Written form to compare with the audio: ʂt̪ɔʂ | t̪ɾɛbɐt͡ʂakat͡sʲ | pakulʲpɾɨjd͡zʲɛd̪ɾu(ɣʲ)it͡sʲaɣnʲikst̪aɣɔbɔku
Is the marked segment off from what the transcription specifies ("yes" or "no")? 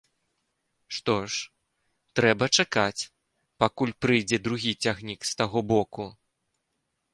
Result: no